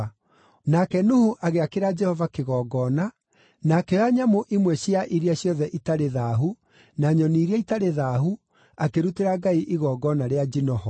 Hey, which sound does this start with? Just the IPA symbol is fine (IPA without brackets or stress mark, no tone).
n